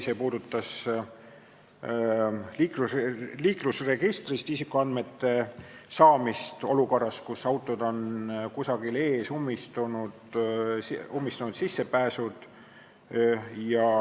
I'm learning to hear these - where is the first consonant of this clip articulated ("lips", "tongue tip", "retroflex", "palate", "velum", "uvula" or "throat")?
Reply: tongue tip